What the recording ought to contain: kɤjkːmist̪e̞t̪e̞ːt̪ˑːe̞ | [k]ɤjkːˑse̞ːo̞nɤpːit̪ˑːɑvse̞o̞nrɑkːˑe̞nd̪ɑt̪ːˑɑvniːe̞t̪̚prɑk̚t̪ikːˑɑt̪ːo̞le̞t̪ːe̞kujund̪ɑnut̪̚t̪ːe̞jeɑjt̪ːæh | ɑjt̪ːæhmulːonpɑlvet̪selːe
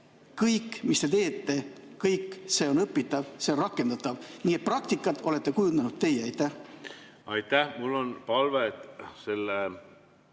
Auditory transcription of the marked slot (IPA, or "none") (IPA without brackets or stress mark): k